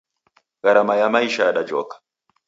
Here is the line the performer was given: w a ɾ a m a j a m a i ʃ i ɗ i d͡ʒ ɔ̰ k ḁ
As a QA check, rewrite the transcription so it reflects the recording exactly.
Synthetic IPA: ɣ a ɾ a m a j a m a i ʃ a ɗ a d͡ʒ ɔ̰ k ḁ